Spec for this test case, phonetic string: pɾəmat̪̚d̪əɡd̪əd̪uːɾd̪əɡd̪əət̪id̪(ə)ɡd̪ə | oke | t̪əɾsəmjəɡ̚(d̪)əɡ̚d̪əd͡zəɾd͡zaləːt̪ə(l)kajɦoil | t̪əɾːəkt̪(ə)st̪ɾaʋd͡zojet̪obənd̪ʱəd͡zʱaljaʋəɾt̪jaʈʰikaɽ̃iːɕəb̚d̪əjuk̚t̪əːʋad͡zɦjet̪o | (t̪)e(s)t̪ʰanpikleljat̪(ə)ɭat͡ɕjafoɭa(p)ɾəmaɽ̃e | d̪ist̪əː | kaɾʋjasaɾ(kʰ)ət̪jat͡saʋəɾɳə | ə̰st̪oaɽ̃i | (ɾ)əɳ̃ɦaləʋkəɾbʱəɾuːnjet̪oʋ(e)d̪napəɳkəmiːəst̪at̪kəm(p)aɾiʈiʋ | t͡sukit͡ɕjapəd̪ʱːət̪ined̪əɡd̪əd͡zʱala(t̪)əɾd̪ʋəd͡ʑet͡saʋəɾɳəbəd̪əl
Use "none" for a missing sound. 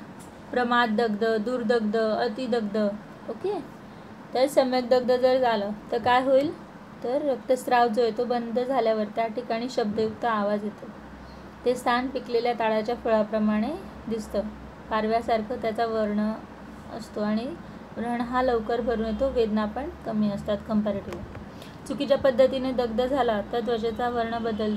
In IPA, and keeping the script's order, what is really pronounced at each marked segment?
ə, d̪, ɾ, ə, t̪, s, a, p, kʰ, ɾ, e, p, t̪

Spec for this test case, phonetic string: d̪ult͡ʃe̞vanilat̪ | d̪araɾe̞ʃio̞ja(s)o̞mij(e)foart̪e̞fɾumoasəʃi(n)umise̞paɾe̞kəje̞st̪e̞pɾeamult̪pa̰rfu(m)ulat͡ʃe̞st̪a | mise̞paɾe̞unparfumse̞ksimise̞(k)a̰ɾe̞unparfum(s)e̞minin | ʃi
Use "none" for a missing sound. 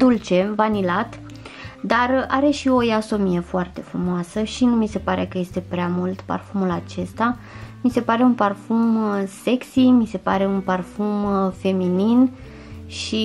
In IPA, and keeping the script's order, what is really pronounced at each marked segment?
s, e, n, m, p, f

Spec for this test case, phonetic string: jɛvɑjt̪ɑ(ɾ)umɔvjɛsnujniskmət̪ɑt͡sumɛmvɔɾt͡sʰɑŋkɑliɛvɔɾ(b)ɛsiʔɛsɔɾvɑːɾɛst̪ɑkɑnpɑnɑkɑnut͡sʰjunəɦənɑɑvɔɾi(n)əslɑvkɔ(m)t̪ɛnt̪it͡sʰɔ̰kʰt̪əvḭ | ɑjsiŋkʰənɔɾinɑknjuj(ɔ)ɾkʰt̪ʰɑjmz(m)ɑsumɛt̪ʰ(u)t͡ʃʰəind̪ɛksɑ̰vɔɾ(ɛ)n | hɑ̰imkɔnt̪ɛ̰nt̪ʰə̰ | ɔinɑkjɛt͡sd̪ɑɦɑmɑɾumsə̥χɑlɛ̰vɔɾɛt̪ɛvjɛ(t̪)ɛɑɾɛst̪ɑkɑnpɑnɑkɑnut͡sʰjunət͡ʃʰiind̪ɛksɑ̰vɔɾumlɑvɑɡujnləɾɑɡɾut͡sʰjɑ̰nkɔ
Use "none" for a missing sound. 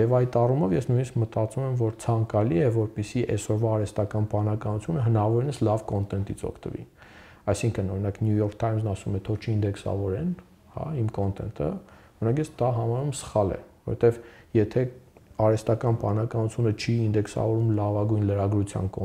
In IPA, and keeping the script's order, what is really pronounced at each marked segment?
r, p, n, n, ɔ, n, ɔ, ɛ, t̪ʰ

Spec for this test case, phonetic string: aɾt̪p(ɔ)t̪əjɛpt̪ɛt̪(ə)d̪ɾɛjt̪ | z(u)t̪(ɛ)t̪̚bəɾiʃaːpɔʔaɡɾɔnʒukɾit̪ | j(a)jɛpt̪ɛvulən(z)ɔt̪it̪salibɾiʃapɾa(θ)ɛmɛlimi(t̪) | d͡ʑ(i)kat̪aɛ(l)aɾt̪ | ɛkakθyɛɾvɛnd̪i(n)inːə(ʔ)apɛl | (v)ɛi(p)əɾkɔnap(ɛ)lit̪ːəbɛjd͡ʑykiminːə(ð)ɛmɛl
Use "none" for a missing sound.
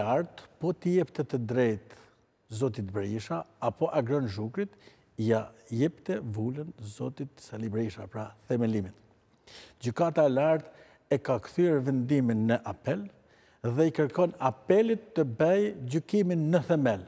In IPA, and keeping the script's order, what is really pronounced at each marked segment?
ɔ, ə, ɔ, i, a, z, θ, t̪, y, l, m, ʔ, ð, k, ɛ, θ

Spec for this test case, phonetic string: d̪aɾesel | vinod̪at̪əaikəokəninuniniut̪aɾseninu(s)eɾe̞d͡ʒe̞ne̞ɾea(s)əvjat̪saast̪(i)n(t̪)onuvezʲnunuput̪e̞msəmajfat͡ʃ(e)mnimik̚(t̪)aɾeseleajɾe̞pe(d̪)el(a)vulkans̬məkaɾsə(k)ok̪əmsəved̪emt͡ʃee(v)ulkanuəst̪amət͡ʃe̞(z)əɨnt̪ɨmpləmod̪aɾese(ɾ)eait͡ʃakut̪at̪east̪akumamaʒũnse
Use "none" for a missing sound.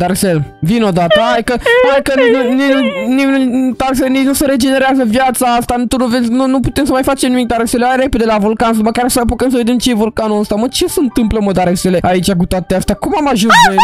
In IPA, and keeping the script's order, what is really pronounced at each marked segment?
s, z, a, t̪, e, d̪, d̪, a, p, v, s, l

